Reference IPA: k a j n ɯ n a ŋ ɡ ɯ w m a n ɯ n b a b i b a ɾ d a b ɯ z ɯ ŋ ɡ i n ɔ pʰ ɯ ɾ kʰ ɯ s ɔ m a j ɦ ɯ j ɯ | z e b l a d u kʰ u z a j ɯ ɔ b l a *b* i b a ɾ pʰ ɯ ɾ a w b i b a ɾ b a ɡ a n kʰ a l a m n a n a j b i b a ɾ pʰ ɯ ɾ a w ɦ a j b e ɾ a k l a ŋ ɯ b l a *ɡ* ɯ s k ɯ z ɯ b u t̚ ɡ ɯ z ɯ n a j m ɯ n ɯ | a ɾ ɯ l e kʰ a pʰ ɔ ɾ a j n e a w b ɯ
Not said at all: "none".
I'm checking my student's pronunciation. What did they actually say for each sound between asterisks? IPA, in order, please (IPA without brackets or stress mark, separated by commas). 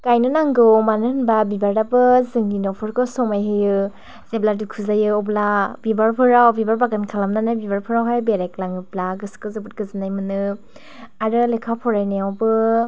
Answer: b, ɡ